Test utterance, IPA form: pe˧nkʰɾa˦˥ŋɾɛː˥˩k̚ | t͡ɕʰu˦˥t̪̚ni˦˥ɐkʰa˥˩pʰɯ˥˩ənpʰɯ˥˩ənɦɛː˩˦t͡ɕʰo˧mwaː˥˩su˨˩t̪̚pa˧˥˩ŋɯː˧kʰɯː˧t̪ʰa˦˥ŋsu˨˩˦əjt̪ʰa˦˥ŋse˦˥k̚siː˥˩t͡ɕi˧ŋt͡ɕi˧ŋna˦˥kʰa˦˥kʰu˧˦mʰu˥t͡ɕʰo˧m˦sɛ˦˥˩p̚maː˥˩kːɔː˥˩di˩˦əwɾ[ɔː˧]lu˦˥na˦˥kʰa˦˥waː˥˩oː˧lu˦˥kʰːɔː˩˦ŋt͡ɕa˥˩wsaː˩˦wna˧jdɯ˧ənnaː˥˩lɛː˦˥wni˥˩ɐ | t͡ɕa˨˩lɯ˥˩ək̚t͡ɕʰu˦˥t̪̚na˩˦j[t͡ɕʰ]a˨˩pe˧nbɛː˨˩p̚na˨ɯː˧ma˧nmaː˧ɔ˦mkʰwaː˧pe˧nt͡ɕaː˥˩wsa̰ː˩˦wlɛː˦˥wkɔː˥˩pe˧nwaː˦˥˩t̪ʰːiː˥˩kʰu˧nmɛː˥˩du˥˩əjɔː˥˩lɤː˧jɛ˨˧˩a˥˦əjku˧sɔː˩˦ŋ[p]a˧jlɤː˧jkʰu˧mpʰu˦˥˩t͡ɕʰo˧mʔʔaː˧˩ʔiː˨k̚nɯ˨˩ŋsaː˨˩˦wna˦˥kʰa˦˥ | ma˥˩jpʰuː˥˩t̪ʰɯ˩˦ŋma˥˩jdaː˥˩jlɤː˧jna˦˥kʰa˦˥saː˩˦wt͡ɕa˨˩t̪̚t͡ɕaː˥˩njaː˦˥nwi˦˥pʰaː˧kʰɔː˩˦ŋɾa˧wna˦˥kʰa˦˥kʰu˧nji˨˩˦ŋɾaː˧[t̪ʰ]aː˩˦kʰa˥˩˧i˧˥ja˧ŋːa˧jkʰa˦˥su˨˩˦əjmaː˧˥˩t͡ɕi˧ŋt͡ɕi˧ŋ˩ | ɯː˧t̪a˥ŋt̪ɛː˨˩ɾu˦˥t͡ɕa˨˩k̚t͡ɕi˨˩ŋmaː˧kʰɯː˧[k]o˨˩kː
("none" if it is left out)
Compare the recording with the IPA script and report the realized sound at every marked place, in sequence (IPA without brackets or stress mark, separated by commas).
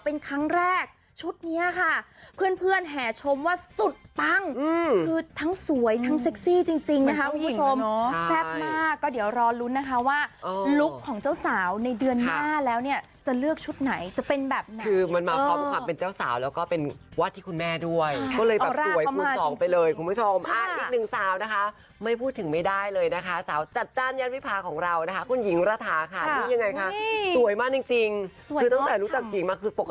ɔː˧, t͡ɕ, p, t̪ʰ, p